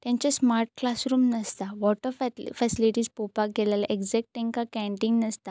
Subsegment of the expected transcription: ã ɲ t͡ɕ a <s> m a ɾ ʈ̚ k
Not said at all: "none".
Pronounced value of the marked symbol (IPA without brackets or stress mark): s